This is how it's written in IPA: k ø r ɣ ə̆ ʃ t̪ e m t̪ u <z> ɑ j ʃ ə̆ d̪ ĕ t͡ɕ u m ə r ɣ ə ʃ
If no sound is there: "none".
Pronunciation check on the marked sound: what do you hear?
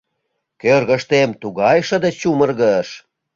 ɣ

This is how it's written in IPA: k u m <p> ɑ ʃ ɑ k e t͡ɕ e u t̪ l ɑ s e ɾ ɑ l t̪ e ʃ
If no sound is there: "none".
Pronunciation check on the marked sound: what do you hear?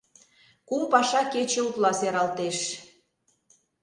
p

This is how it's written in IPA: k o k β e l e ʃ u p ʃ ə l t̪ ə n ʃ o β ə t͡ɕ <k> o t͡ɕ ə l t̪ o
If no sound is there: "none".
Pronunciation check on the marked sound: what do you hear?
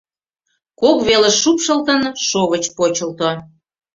p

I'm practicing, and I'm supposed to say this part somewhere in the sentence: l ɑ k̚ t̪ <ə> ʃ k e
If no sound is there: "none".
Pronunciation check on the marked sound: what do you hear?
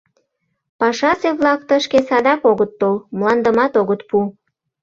ə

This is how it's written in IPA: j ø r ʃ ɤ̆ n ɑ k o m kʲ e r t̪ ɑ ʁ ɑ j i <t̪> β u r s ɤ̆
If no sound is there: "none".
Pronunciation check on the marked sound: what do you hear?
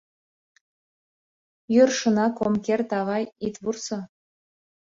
t̪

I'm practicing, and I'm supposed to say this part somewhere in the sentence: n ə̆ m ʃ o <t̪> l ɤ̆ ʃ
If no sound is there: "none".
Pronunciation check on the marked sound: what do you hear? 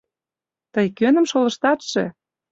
none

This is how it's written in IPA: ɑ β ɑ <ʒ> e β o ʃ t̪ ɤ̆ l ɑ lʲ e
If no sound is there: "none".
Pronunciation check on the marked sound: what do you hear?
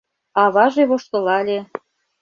ʒ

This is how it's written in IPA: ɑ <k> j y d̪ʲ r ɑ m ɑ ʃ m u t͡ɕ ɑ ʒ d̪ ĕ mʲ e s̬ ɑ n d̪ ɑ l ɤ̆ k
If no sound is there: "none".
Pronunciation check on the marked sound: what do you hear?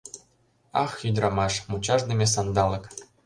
x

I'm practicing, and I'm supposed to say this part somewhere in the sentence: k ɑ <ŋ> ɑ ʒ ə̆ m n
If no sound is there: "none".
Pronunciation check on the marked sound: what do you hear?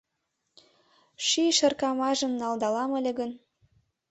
m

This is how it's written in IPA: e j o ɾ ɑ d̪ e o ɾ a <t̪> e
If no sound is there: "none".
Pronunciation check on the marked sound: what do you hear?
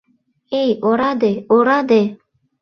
d̪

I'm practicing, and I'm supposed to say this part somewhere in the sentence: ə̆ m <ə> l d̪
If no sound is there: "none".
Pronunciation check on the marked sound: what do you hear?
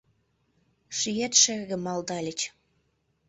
ɑ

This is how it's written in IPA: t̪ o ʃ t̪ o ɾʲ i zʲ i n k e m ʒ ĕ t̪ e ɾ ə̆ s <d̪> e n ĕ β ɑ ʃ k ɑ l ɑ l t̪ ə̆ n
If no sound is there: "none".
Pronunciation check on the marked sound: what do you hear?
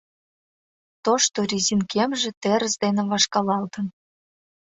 d̪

